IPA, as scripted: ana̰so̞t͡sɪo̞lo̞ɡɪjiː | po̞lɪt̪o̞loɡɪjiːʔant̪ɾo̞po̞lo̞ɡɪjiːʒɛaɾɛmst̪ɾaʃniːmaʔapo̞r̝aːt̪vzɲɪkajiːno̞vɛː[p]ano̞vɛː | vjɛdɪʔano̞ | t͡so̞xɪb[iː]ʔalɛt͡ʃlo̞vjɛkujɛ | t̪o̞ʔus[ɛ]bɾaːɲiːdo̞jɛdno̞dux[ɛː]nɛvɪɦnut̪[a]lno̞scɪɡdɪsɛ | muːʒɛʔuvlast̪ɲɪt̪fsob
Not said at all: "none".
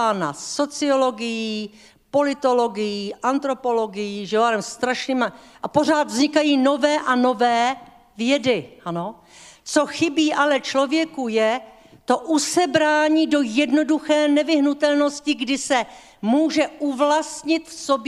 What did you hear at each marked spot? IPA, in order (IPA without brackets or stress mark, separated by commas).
ʔ, iː, ɛ, ɛː, ɛ